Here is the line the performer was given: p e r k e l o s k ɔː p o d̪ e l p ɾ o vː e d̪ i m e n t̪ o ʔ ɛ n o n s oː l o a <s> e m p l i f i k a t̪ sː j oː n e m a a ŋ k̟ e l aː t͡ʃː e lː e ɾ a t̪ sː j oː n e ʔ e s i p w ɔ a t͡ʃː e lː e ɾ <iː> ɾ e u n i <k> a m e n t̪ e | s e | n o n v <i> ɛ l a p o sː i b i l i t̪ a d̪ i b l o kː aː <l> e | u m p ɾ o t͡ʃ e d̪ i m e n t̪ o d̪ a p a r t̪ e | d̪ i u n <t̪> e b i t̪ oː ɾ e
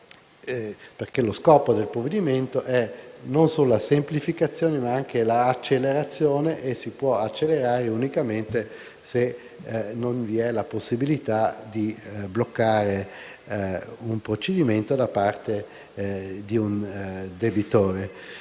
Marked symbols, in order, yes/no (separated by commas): yes, no, yes, yes, no, no